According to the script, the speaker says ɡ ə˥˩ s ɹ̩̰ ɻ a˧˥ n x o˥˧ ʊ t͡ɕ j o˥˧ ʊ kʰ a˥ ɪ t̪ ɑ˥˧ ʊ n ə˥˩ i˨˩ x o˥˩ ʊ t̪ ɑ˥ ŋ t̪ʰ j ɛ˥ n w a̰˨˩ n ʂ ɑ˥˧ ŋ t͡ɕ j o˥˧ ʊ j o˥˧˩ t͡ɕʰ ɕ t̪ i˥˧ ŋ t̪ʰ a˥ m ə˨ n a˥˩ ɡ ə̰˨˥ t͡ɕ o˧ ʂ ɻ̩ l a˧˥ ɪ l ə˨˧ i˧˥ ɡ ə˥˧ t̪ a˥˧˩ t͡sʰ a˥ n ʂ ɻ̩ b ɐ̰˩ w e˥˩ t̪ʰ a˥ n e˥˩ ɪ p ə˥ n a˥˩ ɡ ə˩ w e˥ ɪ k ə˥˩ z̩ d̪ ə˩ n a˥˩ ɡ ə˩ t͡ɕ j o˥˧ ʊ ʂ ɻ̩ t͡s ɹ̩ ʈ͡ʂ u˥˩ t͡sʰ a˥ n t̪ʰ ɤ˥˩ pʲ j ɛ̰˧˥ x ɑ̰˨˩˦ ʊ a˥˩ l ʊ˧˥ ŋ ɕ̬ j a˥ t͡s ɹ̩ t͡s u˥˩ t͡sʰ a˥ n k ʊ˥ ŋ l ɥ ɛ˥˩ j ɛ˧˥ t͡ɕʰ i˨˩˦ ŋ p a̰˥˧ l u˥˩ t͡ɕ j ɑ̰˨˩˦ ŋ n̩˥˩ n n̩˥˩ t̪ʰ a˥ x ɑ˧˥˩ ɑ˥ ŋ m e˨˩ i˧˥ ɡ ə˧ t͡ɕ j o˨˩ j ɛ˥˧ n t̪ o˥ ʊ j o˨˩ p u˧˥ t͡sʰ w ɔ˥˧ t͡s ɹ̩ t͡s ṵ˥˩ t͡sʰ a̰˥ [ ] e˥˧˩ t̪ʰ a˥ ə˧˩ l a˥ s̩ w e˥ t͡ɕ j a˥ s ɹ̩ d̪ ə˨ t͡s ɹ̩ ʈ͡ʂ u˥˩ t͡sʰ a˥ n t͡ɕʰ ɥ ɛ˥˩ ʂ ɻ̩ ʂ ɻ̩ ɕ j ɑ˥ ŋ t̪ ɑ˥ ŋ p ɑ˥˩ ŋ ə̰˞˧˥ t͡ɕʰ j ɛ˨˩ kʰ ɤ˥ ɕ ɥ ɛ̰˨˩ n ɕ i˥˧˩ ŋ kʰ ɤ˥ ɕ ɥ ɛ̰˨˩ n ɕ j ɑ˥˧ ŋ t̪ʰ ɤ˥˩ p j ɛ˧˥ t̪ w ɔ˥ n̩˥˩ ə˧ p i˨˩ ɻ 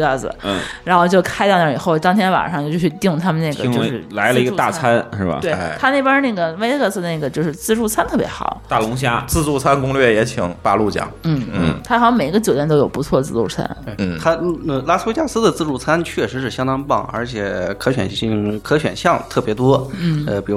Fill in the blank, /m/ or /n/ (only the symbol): n